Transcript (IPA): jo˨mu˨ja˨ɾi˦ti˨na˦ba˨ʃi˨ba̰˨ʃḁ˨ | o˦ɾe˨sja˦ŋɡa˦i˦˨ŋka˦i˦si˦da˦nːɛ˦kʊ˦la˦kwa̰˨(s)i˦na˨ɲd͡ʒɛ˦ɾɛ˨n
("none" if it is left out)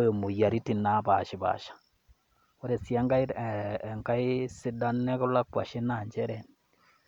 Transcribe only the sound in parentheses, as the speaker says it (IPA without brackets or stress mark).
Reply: ʃ